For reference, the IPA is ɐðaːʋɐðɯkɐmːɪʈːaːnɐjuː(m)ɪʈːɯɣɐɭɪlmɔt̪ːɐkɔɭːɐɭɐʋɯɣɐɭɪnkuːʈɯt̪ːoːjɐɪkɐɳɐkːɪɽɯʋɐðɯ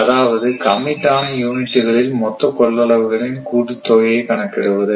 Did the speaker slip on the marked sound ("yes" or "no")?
yes